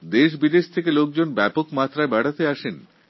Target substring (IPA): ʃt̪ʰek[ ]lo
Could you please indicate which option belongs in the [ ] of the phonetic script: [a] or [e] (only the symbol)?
e